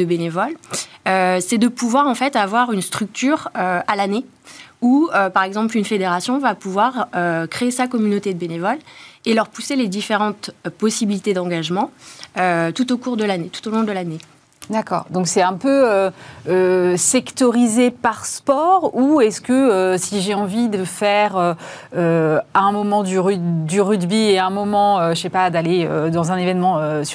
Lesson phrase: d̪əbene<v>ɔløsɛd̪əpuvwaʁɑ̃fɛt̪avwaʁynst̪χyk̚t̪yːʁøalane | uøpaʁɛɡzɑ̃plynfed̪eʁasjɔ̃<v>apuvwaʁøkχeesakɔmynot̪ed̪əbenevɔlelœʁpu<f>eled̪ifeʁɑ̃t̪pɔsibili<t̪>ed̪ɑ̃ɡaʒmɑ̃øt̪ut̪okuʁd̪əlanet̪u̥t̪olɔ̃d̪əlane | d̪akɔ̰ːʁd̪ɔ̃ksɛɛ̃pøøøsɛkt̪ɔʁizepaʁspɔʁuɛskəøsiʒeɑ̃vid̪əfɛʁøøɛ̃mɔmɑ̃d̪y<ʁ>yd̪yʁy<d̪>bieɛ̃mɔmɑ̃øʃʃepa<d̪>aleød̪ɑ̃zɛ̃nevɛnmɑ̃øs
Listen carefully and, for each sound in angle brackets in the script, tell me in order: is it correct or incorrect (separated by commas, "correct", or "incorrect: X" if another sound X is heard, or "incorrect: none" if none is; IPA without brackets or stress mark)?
correct, correct, incorrect: s, correct, correct, correct, correct